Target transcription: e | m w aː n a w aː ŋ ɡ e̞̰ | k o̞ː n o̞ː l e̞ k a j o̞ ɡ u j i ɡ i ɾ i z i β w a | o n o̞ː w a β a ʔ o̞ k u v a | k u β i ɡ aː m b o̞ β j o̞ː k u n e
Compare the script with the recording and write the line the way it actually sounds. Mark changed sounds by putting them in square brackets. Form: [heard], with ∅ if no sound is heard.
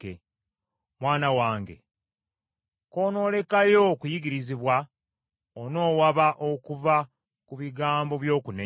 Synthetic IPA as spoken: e | m w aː n a w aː ŋ ɡ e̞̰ | k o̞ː n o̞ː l e̞ k a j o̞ [k] u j i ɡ i ɾ i z i β w a | o n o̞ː w a β a ʔ o̞ k u v a | k u β i ɡ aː m b o̞ β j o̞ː k u n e